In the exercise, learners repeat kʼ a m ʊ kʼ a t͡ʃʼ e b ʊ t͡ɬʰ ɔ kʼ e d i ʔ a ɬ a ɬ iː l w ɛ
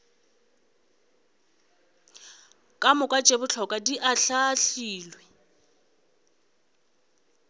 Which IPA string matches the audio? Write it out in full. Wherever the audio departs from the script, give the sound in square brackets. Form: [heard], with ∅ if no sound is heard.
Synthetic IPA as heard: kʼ a m ʊ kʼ a t͡ʃʼ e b ʊ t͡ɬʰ ɔ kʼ [a] d i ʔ a ɬ a ɬ iː l w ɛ